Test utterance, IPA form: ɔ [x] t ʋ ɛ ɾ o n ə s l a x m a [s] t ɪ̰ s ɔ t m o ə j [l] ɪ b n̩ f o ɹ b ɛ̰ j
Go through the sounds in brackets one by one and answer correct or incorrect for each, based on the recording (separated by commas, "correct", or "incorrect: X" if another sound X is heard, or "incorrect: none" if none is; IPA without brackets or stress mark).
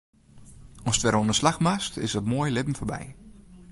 incorrect: s, correct, correct